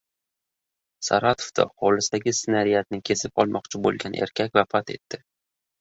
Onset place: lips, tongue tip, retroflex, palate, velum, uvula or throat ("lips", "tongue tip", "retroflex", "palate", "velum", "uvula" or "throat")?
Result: tongue tip